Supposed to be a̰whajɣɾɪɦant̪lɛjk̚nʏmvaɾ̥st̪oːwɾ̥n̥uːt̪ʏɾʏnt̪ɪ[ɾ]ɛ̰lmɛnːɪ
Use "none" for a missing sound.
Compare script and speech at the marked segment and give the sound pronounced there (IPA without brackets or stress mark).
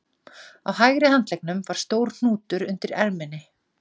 ɾ